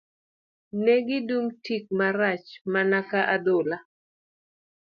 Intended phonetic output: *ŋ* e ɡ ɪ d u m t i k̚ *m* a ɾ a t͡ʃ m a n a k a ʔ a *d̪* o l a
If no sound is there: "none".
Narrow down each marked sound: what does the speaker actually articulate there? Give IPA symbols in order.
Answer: n, m, d̪

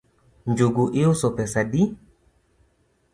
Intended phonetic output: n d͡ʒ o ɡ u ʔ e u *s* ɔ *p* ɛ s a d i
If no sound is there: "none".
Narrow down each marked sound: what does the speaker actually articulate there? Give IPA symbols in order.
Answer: s, p

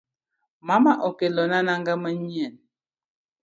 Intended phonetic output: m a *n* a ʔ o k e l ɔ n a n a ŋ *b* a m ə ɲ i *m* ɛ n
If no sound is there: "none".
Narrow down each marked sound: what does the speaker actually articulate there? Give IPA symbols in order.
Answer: m, ɡ, none

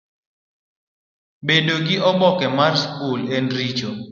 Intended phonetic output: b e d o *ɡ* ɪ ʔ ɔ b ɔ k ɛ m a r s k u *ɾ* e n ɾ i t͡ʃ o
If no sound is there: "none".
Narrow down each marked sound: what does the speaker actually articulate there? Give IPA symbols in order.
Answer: ɡ, l

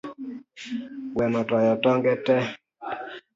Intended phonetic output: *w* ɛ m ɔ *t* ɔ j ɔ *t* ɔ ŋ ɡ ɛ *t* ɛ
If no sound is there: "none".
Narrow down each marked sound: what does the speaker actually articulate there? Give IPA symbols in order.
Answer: w, t, t, t

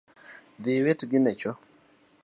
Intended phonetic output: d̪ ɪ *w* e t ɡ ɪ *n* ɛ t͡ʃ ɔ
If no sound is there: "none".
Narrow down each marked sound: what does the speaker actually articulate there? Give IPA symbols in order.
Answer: w, n

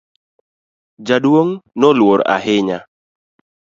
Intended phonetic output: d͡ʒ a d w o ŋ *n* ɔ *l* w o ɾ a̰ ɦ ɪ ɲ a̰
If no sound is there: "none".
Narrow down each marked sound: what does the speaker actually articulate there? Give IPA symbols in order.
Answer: n, l

